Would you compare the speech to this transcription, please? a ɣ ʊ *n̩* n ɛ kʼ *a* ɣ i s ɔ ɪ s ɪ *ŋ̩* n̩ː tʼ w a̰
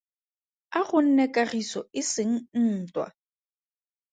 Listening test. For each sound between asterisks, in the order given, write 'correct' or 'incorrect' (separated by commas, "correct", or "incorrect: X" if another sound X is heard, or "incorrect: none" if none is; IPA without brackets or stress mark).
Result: correct, correct, correct